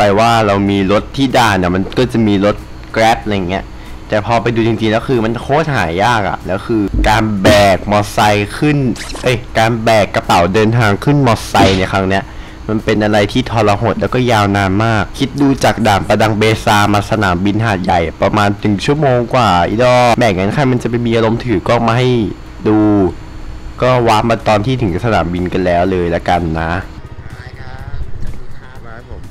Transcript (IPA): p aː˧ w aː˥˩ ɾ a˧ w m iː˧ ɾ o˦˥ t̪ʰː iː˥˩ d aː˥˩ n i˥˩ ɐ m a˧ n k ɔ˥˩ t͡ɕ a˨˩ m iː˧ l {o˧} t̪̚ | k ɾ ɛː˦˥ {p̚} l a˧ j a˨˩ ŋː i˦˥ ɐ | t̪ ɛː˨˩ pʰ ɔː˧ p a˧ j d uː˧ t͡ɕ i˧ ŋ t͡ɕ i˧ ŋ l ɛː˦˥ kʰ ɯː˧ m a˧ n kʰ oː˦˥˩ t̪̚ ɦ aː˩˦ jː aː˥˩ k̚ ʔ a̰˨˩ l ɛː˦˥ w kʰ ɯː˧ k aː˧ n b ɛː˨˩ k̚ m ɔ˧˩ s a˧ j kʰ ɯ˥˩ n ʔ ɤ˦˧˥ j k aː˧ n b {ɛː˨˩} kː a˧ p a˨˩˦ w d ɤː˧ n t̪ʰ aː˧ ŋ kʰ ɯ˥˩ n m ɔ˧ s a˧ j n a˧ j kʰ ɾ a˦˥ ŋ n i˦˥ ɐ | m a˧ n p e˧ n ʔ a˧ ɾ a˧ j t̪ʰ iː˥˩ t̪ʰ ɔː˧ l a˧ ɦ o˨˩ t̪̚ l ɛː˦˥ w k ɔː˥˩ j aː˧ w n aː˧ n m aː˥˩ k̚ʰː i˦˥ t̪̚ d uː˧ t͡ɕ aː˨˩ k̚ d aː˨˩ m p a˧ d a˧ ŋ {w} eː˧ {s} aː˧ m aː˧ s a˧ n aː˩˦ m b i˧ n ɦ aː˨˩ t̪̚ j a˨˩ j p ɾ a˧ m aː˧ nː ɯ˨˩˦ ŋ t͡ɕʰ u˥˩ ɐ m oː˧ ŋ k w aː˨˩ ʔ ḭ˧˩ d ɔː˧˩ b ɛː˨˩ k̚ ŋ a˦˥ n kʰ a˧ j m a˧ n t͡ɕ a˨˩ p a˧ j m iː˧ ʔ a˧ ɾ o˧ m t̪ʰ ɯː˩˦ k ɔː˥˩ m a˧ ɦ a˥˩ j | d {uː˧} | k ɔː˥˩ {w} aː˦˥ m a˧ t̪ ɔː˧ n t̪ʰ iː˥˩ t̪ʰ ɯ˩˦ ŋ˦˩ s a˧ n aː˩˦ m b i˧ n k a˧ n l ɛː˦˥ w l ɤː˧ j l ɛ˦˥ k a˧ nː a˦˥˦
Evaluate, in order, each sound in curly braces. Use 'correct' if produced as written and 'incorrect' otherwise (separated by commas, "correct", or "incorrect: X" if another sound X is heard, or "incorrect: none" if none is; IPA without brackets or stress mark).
incorrect: o˦˥, correct, correct, incorrect: b, correct, correct, correct